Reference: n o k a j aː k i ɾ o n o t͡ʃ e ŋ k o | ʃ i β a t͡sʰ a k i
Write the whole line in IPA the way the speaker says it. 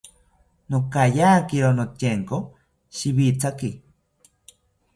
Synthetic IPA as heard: n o k a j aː k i ɾ o n o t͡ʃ e ŋ k o | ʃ i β i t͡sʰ a k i